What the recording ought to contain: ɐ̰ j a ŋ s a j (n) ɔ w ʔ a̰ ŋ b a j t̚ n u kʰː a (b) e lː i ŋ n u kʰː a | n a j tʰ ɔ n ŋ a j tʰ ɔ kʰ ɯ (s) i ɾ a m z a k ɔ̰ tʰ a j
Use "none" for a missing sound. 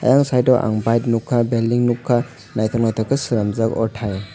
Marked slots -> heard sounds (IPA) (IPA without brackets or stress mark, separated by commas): d, b, s